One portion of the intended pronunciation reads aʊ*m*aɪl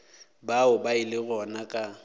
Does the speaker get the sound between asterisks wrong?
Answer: yes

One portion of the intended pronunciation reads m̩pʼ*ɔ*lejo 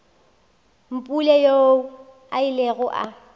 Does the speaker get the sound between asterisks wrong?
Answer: yes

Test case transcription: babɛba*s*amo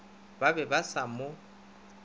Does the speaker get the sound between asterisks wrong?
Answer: no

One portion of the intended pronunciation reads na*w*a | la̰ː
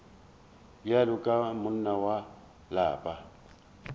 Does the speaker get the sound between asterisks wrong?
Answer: no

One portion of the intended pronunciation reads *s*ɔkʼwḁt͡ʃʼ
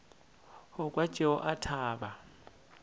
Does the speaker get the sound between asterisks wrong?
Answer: yes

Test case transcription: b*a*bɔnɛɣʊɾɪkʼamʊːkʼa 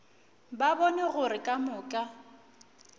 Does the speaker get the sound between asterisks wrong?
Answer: no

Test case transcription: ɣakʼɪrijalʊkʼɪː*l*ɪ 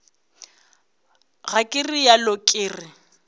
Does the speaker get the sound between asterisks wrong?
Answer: yes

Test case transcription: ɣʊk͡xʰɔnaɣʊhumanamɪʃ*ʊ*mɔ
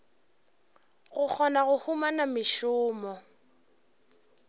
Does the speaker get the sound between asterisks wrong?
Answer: yes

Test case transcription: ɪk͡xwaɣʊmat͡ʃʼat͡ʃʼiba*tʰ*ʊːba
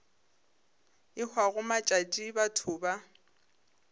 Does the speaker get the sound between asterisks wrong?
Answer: no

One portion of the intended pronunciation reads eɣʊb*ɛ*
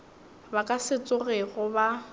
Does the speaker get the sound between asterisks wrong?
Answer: yes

